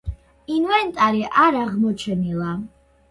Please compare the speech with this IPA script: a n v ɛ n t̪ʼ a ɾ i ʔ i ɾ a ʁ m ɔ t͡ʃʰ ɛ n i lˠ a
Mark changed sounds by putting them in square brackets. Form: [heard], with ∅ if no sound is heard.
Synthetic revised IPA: [i] n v ɛ n t̪ʼ a ɾ i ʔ [a] ɾ a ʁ m ɔ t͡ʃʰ ɛ n i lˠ a